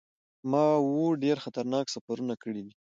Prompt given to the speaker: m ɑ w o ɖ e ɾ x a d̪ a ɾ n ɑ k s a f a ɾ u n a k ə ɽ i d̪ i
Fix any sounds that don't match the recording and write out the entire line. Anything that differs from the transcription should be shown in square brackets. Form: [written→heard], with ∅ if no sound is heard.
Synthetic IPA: m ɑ w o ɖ e ɾ x a [d̪→t̪] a ɾ n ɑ k s a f a ɾ u n a k ə ɽ i d̪ i